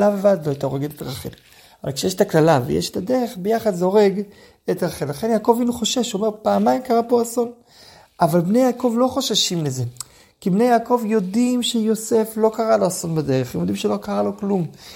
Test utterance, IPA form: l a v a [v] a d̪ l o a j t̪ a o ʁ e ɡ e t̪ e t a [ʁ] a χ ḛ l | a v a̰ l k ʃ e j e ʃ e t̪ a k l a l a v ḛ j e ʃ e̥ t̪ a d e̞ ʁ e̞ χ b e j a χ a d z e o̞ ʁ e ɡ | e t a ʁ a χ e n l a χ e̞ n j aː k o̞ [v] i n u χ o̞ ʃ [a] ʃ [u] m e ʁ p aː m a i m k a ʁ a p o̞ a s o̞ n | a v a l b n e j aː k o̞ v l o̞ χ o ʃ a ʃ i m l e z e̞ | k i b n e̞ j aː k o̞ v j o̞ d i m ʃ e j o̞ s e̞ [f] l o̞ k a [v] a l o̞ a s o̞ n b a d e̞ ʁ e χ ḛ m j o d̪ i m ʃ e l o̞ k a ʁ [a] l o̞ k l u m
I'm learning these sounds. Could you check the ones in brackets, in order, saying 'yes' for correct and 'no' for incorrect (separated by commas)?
yes, yes, yes, no, no, yes, no, yes